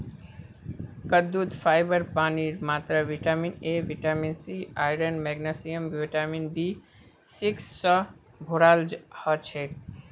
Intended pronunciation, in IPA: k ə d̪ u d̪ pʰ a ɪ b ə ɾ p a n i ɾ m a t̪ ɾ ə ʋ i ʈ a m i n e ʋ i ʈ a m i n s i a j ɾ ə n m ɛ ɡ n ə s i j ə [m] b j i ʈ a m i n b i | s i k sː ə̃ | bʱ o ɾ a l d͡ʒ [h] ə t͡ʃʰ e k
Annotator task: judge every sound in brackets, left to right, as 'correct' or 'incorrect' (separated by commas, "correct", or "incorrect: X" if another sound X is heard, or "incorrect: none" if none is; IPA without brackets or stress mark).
correct, correct